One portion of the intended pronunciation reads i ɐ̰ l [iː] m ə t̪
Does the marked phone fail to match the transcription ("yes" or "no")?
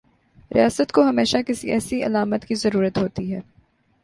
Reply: yes